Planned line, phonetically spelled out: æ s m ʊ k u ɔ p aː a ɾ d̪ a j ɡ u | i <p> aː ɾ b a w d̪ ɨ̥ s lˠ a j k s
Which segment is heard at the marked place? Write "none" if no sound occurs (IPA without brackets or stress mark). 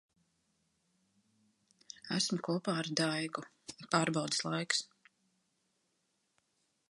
p